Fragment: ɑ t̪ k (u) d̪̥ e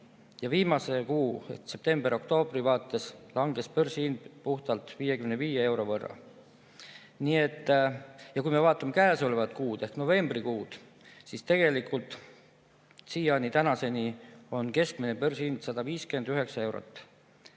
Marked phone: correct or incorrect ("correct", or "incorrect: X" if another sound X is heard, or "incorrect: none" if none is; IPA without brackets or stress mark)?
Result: incorrect: uː